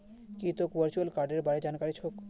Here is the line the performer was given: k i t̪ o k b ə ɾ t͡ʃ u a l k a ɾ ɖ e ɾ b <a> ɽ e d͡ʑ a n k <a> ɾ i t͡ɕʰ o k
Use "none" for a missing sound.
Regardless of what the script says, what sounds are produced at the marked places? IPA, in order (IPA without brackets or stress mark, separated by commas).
a, a